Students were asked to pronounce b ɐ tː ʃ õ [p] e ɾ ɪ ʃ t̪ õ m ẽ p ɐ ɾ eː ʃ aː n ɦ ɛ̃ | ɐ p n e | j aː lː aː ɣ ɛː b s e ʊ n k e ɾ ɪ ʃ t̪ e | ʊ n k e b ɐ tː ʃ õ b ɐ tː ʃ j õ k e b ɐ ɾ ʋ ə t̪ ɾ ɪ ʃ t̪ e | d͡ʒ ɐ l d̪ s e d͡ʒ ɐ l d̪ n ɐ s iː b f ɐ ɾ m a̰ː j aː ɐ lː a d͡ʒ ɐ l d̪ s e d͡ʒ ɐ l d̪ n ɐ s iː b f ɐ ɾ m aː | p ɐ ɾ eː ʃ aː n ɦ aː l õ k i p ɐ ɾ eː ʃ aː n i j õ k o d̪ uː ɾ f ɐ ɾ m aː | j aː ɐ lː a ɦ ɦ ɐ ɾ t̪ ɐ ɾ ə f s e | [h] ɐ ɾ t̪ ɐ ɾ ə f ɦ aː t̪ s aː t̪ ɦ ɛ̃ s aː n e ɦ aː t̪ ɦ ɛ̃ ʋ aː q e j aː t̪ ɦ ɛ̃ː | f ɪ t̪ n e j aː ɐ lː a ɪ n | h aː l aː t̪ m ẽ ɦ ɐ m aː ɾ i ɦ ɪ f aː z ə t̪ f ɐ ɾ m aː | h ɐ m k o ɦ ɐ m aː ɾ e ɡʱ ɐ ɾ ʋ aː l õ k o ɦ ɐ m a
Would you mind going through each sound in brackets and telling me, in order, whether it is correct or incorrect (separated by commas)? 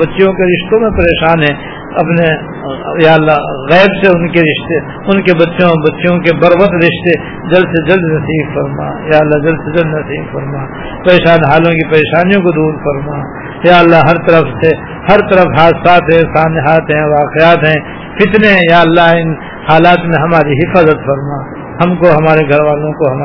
incorrect, correct